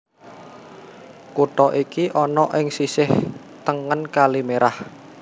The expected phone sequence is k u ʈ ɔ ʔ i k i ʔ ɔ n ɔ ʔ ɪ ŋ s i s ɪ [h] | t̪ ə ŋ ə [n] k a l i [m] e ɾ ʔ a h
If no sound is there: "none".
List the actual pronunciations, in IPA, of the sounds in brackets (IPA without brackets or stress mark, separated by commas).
h, n, m